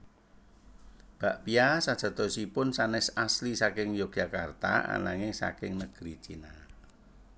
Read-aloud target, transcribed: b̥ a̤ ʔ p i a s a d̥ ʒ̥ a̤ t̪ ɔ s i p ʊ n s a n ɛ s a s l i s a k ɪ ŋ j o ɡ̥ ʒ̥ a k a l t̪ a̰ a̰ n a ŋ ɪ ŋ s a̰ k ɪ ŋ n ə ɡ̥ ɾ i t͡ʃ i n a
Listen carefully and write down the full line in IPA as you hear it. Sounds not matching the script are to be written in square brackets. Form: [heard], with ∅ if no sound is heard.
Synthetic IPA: b̥ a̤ ʔ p i a s a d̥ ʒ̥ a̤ t̪ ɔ s i p ʊ n s a n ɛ s a s l i s a k ɪ ŋ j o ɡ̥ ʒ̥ a k a [r] t̪ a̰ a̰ n a ŋ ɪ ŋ s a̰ k ɪ ŋ n ə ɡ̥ ɾ i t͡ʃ i n a